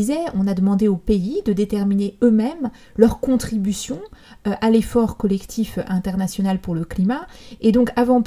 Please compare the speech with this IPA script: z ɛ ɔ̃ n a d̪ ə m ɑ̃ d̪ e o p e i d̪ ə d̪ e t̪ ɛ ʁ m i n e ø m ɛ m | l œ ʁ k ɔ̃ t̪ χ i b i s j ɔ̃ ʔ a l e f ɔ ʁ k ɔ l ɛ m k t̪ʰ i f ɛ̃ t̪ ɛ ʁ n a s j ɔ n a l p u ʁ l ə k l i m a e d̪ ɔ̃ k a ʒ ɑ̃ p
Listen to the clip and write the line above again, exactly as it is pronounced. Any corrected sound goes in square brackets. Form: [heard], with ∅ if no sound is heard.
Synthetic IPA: z ɛ ɔ̃ n a d̪ ə m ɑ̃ d̪ e o p e i d̪ ə d̪ e t̪ ɛ ʁ m i n e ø m ɛ m | l œ ʁ k ɔ̃ t̪ χ i b [y] s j ɔ̃ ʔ a l e f ɔ ʁ k ɔ l ɛ [∅] k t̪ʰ i f ɛ̃ t̪ ɛ ʁ n a s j ɔ n a l p u ʁ l ə k l i m a e d̪ ɔ̃ k a [v] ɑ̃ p